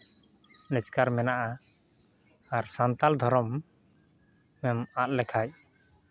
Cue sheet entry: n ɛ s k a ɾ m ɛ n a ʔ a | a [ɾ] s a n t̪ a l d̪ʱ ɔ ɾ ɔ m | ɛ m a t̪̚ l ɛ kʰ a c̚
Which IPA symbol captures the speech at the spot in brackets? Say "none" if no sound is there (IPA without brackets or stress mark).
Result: ɾ